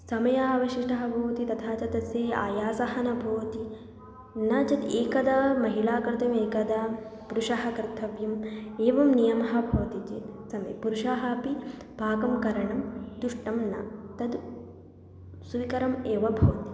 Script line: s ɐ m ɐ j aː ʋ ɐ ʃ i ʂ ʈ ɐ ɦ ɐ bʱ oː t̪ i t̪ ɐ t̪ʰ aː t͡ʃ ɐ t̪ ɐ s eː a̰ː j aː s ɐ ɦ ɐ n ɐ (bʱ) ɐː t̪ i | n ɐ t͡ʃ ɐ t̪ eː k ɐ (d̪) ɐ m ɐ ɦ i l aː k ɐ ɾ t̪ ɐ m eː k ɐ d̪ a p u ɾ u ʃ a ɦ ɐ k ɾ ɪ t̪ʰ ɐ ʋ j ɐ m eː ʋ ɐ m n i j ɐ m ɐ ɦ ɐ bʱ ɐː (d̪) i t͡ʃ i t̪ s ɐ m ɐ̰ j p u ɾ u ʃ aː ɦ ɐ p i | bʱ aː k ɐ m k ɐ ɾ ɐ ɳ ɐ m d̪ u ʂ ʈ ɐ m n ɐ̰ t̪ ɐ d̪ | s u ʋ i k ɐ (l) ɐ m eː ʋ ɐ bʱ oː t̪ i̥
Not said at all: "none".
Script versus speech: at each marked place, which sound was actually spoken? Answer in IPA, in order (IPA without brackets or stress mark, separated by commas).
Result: bʱ, d̪, t̪, ɾ